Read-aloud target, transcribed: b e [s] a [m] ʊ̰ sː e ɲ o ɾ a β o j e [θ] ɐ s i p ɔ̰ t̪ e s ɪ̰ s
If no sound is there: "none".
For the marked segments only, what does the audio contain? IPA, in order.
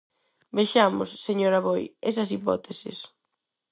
ʃ, m, s

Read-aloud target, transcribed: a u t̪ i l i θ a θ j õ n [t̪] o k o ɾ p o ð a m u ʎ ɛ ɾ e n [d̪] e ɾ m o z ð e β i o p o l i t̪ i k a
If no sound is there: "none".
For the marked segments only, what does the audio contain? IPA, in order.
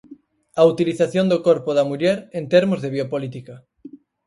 d̪, t̪

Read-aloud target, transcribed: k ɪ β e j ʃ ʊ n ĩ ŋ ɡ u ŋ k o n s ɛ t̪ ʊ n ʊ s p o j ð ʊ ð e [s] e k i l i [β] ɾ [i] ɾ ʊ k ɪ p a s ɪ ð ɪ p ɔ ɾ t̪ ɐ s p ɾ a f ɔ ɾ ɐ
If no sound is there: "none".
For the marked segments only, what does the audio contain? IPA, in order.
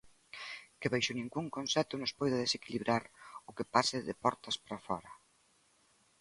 s, β, a

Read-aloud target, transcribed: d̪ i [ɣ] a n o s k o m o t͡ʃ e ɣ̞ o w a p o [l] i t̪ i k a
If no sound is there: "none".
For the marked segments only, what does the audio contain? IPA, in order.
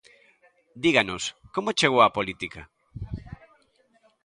ɣ, l

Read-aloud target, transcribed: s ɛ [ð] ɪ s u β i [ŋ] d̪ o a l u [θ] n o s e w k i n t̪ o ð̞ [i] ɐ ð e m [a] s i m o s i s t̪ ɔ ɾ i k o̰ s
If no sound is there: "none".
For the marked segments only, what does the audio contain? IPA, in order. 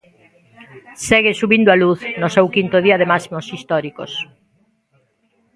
ɣ, n, θ, i, a

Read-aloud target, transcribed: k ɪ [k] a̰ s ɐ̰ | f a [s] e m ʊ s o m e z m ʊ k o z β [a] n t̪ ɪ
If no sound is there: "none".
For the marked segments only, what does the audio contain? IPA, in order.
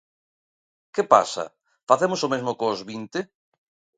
p, θ, i

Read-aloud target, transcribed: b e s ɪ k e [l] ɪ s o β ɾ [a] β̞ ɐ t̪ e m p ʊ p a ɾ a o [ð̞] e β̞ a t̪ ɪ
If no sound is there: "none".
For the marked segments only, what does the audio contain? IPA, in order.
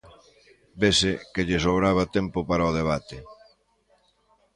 ʎ, a, ð̞

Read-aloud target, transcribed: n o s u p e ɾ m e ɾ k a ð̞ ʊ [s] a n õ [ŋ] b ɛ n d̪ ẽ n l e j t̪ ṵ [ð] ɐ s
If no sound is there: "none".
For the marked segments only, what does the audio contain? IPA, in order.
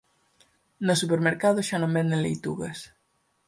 ʃ, m, ɣ

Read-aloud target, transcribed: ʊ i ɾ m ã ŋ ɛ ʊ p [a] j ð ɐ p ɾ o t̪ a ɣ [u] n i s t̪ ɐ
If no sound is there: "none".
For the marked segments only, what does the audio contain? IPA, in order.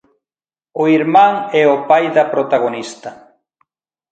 a, o

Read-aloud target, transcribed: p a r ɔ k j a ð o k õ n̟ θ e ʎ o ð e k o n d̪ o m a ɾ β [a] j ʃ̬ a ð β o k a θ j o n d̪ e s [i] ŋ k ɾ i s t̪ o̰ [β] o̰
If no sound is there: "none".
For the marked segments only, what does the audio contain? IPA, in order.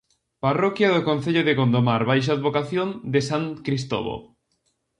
a, a, β

